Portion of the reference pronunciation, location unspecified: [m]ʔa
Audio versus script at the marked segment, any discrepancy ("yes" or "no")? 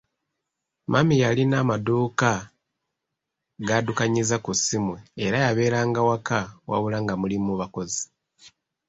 no